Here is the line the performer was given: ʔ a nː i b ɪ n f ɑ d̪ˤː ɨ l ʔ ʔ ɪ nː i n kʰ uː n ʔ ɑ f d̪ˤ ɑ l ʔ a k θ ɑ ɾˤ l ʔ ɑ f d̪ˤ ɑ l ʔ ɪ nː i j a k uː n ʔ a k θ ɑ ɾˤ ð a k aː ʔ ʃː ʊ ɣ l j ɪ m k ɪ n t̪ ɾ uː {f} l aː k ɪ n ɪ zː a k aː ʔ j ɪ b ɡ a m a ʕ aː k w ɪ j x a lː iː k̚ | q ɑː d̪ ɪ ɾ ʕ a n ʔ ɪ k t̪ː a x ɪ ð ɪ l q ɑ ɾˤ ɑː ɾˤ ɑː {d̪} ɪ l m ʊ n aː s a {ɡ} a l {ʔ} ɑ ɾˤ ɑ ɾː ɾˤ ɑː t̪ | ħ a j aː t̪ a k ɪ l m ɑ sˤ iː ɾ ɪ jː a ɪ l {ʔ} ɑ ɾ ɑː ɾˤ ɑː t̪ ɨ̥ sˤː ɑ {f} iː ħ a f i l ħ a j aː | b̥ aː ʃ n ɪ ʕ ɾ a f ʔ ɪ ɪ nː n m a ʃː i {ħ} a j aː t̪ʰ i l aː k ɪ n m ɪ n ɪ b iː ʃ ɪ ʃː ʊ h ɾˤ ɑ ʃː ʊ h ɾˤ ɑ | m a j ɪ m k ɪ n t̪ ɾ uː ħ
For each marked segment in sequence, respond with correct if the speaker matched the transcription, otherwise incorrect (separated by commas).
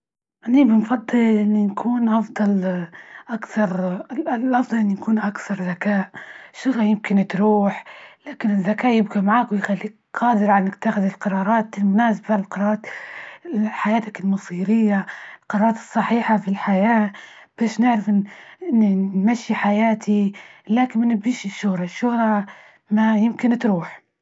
incorrect, incorrect, incorrect, incorrect, incorrect, incorrect, correct